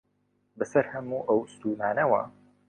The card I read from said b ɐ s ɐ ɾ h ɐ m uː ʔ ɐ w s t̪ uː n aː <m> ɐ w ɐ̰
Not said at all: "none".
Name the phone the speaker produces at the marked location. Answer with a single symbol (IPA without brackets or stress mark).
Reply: n